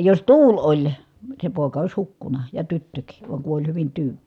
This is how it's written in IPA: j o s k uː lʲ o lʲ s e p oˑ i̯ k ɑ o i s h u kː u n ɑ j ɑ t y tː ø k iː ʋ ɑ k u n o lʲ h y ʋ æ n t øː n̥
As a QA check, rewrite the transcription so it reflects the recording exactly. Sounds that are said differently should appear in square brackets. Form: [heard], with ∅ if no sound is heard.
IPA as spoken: j o s [t] uː lʲ o lʲ s e p oˑ i̯ k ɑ o i s h u kː u n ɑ j ɑ t y tː ø k iː ʋ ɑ k u n o lʲ h y ʋ [i] n t [yː] n̥

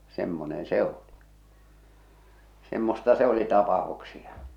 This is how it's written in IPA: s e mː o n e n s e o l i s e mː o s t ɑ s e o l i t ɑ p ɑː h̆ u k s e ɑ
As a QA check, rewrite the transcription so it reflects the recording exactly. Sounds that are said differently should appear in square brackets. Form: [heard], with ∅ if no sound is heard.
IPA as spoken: s e mː o n e n s e o l i s e mː o s t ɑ s e o l i t ɑ p [ɑ] h̆ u k s [i] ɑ

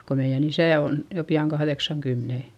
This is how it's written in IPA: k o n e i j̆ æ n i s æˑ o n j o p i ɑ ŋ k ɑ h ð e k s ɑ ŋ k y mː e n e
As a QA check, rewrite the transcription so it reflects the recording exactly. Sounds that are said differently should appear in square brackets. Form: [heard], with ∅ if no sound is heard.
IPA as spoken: k o [m] e i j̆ æ n i s æˑ o n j o p i ɑ ŋ k ɑ h ð e k s ɑ ŋ k y mː e n e

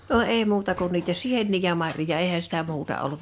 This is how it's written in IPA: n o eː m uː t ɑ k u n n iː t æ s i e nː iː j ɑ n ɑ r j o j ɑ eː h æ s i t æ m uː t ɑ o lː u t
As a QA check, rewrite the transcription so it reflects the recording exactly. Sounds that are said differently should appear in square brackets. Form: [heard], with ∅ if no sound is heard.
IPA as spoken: n o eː m uː t ɑ k u n n iː t æ s i e nː iː j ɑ [m] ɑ r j o j ɑ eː h æ s i t æ m uː t ɑ o lː u t

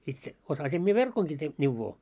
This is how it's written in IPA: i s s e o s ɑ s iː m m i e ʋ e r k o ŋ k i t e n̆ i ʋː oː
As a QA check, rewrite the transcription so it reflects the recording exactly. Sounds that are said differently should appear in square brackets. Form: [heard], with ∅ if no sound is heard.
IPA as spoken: i [t] s e o s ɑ s [i] m m i e ʋ e r k o ŋ k i t e n̆ i ʋː oː

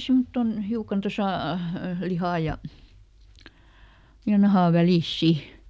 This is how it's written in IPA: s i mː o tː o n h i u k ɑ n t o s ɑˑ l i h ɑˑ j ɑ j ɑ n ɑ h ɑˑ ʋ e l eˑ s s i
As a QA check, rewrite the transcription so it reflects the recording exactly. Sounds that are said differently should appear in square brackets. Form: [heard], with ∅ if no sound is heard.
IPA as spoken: s i mː o tː o n h i u k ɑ n t o s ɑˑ l i h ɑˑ j ɑ j ɑ n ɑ h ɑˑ ʋ [æ] l [iˑ] s s i

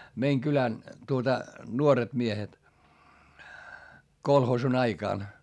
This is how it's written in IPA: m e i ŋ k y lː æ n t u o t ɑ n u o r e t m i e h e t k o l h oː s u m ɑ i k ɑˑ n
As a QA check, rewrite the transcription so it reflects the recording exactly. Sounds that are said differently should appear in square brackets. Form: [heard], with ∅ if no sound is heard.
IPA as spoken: m e i ŋ k y [l] æ n t u o t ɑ n u o r e t m i e h e t k o l h oː s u [n] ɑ i k ɑˑ n

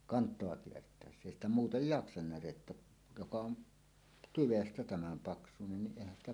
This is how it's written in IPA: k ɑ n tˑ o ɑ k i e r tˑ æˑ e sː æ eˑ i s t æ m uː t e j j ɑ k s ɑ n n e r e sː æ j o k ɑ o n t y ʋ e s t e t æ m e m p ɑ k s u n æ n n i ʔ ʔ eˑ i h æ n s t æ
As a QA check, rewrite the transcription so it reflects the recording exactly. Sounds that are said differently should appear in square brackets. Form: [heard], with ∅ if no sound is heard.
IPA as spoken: k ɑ n tˑ o ɑ k i e r tˑ æˑ e sː æ eˑ i s t æ m uː t e j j ɑ k s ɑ n n [æ] r e [tː] æ j o k ɑ o n t y ʋ e s t [æ] t æ m [æ] m p ɑ k s u n [e] n n i ʔ ʔ eˑ i h æ n s t æ

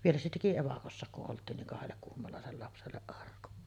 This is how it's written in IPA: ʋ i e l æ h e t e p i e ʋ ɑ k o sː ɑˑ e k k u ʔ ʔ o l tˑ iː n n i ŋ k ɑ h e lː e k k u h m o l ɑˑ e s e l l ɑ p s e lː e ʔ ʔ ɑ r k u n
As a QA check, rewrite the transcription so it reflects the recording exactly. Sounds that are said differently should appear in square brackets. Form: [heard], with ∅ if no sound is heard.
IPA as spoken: ʋ i e l æ [s] e t e [k] i e ʋ ɑ k o sː ɑˑ e k k u ʔ ʔ o l tˑ iː n n i ŋ k ɑ h e lː e k k u h m o l ɑˑ e s e l l ɑ p s e lː e ʔ ʔ ɑ r k u n

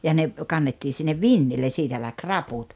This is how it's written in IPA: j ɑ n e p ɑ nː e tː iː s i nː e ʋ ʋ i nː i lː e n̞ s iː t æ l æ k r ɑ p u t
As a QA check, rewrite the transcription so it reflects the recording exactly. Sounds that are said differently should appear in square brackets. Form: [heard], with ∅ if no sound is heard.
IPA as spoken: j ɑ n e [k] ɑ nː e tː iː s i nː e ʋ ʋ i nː i lː e n̞ s iː t æ l æ k r ɑ p u t

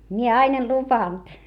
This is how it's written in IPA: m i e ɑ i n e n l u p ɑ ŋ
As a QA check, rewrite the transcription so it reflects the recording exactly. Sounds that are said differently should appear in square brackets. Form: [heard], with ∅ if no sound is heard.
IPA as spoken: m i e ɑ i n e n l u p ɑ [n]

